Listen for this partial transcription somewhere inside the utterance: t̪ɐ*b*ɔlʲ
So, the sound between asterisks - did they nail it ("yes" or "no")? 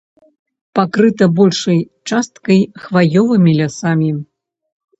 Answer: yes